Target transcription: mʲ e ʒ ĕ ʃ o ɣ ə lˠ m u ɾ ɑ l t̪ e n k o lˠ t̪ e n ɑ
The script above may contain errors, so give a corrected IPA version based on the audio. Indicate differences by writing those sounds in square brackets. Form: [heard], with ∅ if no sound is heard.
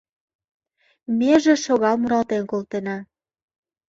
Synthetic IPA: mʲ e ʒ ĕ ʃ o ɣ [ɑ] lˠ m u ɾ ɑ l t̪ e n k o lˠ t̪ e n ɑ